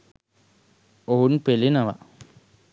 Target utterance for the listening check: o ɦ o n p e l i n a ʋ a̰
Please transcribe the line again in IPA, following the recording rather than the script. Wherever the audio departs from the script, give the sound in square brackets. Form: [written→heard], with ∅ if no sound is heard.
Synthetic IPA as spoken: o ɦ [o→u] n p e l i n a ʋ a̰